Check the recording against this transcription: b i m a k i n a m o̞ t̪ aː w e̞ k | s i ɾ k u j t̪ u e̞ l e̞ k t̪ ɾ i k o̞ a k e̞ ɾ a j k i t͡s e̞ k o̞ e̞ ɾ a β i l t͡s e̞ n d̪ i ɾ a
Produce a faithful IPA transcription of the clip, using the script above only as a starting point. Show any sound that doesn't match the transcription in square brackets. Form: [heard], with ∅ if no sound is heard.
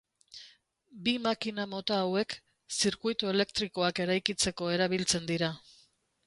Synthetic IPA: b i m a k i n a m o̞ t̪ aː w e̞ k | s i ɾ k u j t̪ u e̞ l e̞ k t̪ ɾ i k o̞ a k e̞ ɾ a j k i t͡s e̞ k o̞ e̞ ɾ a β i l t͡s e̞ n d̪ i ɾ a